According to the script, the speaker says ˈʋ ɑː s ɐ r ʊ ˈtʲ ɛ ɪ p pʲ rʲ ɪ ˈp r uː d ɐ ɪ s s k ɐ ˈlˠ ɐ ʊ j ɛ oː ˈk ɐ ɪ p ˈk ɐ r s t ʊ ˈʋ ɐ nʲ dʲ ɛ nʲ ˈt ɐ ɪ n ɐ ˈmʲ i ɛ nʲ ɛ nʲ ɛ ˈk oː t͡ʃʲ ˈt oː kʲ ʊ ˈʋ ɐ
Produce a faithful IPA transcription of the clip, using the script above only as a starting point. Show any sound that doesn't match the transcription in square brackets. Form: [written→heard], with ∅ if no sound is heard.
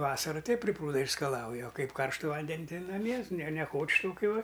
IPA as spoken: ˈʋ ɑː s ɐ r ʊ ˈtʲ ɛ ɪ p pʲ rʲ ɪ ˈp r uː d ɐ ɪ [s→ʃ] s k ɐ ˈlˠ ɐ ʊ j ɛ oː ˈk ɐ ɪ p ˈk ɐ r [s→ʃ] t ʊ ˈʋ ɐ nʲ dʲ ɛ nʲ ˈt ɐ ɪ n ɐ ˈmʲ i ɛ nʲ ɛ nʲ ɛ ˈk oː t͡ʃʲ ˈt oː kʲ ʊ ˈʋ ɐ